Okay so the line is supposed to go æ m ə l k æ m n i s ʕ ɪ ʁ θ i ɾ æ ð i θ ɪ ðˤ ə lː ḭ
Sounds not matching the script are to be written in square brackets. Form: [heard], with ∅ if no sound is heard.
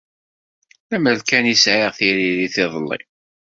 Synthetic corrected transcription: æ m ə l k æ [∅] n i s ʕ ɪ ʁ θ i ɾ [i] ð i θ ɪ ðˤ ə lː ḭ